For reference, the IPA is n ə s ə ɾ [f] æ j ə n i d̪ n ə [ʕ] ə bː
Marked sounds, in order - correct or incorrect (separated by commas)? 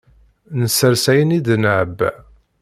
incorrect, correct